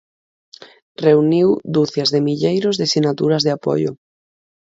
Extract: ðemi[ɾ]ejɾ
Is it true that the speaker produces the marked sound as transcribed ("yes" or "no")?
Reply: no